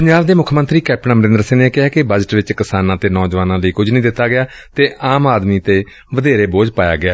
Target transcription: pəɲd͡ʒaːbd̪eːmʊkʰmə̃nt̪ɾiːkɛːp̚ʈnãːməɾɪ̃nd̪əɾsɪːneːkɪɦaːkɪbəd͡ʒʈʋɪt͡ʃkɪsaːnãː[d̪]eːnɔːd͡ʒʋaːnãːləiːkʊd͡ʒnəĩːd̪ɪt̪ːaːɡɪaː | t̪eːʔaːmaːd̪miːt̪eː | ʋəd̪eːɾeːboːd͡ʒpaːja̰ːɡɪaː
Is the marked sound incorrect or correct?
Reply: incorrect